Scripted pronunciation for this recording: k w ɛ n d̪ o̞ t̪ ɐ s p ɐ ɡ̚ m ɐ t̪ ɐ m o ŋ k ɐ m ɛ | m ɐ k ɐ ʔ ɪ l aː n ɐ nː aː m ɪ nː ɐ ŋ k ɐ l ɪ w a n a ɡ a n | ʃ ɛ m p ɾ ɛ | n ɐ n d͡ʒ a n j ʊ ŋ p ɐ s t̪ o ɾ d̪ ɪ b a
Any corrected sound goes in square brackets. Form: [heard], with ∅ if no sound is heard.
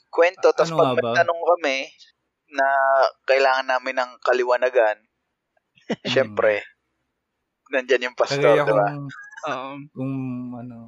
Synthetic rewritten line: k w ɛ n [t̪] o̞ t̪ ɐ s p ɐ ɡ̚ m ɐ t̪ ɐ [n] o ŋ k ɐ m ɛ | [n] ɐ k ɐ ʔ ɪ l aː [ŋ] ɐ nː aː m ɪ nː ɐ ŋ k ɐ l ɪ w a n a ɡ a n | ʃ ɛ m p ɾ ɛ | n ɐ n d͡ʒ a n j ʊ ŋ p ɐ s t̪ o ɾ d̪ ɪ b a